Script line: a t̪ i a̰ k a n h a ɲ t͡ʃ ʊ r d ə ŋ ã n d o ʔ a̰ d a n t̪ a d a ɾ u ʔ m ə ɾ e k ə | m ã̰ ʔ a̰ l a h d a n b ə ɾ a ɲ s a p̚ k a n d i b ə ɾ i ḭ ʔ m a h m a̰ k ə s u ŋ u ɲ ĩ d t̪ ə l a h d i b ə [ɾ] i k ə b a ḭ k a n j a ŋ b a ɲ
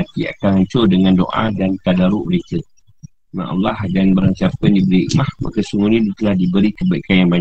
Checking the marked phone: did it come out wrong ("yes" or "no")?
no